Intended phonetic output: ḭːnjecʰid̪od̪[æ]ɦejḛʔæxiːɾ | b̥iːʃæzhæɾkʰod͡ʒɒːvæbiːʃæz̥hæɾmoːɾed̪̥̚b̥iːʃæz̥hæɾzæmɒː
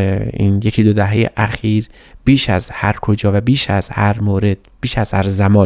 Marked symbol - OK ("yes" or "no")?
yes